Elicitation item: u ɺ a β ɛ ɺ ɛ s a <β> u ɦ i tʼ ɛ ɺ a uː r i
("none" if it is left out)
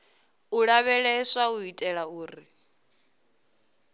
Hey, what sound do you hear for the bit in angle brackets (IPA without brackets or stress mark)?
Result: none